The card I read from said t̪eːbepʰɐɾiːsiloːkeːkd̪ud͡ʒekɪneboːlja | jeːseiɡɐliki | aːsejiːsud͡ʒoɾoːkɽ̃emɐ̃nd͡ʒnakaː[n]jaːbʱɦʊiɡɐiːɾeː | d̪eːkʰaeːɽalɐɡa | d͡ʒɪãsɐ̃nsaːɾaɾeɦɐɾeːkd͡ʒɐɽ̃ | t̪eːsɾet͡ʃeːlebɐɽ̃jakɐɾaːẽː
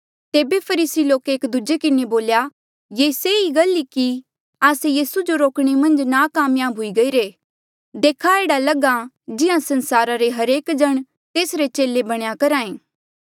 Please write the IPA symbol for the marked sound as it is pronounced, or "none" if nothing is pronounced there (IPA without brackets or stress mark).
m